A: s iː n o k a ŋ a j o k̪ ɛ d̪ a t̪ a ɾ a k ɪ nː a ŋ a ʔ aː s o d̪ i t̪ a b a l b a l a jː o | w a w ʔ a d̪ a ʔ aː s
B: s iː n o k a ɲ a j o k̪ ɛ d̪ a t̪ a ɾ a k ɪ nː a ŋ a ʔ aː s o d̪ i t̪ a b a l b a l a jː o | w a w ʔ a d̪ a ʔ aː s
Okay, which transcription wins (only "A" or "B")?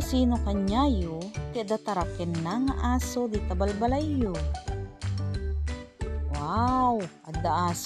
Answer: B